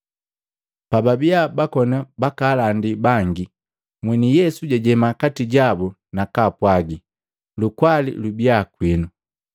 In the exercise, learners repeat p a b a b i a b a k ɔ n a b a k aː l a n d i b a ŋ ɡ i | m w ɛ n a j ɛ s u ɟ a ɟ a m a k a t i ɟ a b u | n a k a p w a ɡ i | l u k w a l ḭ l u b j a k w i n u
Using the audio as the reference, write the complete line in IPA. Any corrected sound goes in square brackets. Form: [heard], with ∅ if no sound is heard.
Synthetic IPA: p a b a b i a b a k ɔ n a b a k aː l a n d i b a ŋ ɡ i | m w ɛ n [i] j ɛ s u ɟ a ɟ [ɛ] m a k a t i ɟ a b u | n a k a p w a ɡ i | l u k w a l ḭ l u b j a k w i n u